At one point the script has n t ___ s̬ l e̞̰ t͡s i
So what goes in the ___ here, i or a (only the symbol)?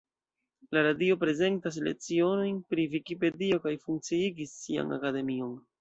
a